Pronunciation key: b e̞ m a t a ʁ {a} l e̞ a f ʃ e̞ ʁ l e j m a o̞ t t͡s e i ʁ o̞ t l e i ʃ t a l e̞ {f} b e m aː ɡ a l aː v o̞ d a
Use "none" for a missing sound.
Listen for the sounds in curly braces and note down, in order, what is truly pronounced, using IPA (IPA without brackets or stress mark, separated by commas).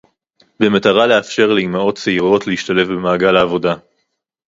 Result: a, f